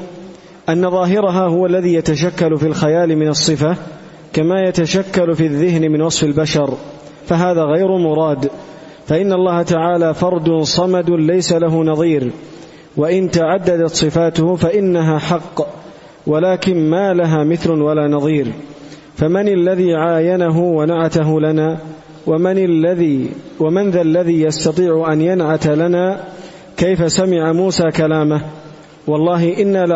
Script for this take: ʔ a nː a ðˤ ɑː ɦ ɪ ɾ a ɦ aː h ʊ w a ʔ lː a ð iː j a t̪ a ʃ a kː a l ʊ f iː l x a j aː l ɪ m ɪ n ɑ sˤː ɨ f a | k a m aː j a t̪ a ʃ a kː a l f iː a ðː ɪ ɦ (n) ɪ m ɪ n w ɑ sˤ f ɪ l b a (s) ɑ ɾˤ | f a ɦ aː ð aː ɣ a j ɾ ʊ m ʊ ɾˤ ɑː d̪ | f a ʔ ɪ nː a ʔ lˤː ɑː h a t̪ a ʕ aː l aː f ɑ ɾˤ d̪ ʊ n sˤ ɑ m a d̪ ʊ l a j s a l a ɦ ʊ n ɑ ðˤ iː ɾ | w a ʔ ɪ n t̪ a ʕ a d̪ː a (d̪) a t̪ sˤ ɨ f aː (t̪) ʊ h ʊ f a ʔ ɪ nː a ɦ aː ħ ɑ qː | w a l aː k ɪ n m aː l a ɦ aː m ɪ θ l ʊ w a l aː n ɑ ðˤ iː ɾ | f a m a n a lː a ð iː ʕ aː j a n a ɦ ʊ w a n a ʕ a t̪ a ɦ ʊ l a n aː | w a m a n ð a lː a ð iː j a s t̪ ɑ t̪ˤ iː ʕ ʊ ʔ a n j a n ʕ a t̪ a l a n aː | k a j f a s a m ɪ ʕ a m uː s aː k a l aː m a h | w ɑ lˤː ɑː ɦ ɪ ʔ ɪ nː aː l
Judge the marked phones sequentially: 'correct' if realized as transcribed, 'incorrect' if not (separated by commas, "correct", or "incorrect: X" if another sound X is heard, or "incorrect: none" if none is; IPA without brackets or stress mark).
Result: correct, incorrect: ʃ, correct, correct